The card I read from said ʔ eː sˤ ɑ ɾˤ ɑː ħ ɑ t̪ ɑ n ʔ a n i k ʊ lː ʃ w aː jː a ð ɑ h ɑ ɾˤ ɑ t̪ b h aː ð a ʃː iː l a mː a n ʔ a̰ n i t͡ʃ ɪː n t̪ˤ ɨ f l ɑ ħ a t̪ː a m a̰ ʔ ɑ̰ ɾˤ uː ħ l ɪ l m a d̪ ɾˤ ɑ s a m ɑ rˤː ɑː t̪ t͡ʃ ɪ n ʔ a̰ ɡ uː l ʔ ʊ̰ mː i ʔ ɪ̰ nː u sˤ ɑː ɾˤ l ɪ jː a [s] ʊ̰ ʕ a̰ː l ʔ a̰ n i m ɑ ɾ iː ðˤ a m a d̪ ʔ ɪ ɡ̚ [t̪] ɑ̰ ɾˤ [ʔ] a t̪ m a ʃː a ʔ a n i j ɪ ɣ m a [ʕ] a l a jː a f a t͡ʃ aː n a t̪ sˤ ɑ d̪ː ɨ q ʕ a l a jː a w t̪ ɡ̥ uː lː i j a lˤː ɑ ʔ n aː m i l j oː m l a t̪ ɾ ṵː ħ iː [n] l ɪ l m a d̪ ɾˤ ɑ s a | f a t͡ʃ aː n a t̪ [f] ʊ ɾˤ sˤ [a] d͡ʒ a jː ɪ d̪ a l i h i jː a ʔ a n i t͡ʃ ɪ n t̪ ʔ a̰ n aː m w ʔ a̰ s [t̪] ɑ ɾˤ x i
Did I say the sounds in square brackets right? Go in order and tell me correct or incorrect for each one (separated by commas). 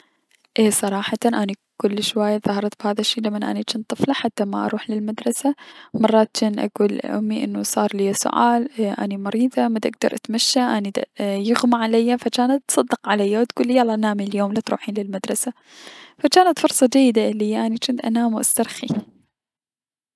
correct, incorrect, correct, correct, correct, correct, incorrect, correct